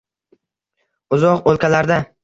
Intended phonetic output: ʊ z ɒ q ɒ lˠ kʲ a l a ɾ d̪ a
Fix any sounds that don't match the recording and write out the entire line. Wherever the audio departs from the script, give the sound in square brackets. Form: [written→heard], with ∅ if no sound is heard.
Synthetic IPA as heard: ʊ z ɒ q [ɒ→o] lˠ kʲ a l a ɾ d̪ a